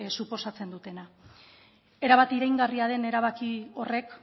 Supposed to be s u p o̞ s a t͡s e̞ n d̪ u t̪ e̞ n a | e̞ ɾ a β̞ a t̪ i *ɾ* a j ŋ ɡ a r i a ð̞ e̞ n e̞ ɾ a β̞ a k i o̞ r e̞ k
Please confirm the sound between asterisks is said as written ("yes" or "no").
yes